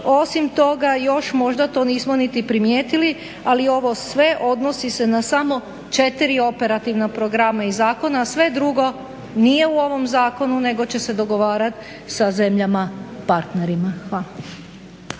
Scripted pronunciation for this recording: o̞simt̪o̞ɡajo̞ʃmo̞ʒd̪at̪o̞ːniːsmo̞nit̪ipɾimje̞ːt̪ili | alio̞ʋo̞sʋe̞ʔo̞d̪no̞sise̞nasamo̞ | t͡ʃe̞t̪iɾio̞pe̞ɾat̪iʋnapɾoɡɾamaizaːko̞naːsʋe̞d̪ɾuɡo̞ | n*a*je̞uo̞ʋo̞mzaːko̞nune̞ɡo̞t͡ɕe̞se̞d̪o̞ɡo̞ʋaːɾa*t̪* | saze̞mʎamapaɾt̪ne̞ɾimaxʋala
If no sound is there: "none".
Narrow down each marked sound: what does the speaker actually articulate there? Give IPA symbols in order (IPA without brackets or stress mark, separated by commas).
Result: i, t̪